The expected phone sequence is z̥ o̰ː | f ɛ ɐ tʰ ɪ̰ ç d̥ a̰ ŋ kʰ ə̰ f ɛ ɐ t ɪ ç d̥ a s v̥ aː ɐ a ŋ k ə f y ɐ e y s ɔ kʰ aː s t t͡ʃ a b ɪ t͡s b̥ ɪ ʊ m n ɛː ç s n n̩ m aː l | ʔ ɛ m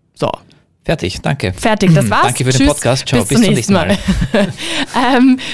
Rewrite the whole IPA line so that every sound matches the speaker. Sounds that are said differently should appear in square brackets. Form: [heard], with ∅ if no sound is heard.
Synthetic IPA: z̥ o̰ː | f ɛ ɐ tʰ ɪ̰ ç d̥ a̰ ŋ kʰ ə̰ f ɛ ɐ t ɪ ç d̥ a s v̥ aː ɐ a ŋ k ə f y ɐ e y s ɔ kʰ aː s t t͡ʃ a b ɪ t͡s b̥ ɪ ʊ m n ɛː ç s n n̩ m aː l | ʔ ɛ m